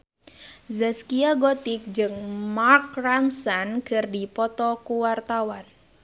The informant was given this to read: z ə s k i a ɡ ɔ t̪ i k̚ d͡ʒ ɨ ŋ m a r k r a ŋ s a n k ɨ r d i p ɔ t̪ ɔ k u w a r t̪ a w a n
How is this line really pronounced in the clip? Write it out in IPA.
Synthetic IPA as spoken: z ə s k i a ɡ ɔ t̪ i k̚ d͡ʒ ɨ ŋ m a r k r a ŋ s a n k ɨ r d i p ɔ t̪ ɔ k u w a r t̪ a w a n